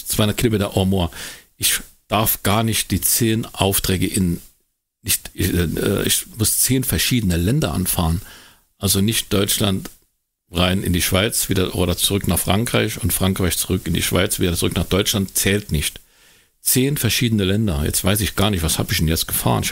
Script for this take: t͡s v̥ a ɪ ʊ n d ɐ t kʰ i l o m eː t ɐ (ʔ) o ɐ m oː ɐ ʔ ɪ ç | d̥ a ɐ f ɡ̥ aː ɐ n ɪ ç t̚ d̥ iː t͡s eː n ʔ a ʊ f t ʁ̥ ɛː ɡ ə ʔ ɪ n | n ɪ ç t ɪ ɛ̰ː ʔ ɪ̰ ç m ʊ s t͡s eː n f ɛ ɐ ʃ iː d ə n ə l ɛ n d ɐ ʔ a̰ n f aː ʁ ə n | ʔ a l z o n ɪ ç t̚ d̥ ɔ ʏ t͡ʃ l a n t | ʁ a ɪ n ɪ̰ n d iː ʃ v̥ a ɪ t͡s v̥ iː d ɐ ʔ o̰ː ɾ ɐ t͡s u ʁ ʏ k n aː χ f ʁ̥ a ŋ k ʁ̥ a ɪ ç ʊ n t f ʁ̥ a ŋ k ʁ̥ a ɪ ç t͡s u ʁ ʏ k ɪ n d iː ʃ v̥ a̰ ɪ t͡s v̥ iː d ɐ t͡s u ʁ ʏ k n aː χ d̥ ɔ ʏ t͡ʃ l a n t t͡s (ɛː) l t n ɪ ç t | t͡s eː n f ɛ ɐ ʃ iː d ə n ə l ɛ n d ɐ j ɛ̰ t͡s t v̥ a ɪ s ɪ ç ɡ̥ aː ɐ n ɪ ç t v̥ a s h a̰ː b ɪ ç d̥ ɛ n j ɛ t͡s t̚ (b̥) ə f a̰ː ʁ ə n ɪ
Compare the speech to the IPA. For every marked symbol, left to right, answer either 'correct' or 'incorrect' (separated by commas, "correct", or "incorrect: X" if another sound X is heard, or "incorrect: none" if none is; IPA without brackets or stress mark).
correct, correct, incorrect: ɡ̥